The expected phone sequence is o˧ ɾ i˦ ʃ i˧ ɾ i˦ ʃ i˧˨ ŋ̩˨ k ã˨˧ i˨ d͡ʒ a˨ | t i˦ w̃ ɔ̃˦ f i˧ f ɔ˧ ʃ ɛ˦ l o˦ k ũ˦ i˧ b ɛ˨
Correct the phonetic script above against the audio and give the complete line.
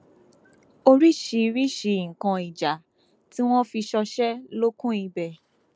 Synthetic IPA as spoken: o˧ ɾ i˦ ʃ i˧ ɾ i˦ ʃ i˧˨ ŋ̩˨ k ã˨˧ i˨ d͡ʒ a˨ | t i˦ w̃ ɔ̃˦ f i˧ ʃ ɔ˧ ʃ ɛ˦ l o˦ k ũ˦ i˧ b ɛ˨